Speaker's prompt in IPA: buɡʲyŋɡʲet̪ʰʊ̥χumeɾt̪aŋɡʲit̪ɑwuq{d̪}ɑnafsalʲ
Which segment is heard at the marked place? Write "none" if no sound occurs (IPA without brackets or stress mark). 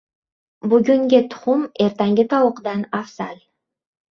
d̪